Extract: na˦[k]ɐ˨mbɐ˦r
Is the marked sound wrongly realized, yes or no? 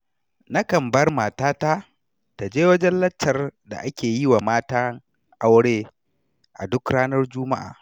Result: no